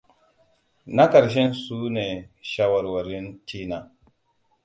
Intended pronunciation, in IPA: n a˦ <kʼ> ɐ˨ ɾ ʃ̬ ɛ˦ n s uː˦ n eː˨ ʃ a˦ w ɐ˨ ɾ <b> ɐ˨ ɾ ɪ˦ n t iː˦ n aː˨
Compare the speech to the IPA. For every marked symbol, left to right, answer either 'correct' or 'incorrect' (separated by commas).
incorrect, incorrect